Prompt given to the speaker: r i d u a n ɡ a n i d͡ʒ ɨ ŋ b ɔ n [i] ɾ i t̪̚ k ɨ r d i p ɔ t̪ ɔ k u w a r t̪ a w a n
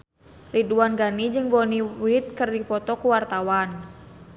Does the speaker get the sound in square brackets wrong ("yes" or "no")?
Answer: no